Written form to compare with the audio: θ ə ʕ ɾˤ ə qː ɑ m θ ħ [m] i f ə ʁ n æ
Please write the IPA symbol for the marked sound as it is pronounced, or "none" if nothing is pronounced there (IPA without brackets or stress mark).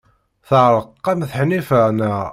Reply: n